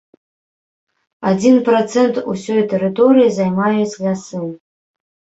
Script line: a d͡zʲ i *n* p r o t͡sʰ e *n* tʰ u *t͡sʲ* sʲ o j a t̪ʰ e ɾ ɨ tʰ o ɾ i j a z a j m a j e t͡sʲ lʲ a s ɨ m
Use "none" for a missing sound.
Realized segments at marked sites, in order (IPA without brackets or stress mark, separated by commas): n, n, none